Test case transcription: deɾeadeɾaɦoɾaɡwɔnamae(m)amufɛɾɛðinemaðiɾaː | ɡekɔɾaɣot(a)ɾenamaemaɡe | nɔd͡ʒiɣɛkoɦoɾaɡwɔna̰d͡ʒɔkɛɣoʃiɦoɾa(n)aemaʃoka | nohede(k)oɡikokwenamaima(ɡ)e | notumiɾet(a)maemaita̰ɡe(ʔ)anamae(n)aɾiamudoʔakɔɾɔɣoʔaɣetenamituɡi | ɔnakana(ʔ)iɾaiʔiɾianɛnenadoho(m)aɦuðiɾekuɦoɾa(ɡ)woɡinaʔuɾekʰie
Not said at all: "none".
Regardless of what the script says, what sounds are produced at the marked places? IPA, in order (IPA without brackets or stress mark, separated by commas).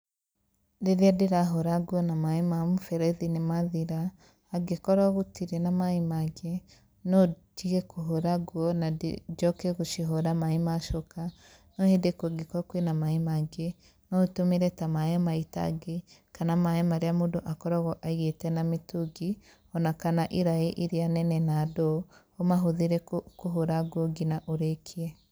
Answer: m, i, m, k, ɡ, a, k, m, ʔ, m, ɡ